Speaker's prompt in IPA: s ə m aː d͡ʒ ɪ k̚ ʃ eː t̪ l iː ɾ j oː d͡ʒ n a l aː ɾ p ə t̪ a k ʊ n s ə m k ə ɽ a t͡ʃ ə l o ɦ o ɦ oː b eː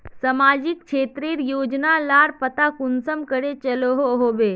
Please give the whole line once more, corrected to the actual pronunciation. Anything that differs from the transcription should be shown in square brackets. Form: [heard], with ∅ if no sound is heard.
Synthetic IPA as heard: s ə m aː d͡ʒ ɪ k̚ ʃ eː t̪ [ɾ] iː ɾ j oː d͡ʒ n a l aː ɾ p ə t̪ a k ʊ n s ə m k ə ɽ [e] t͡ʃ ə l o ɦ o ɦ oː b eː